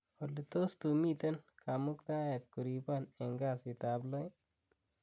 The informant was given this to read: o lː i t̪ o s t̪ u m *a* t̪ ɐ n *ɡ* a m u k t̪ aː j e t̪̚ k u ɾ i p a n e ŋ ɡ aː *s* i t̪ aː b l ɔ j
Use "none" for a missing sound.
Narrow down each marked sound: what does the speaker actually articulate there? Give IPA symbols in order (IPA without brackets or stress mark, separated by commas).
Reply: i, k, s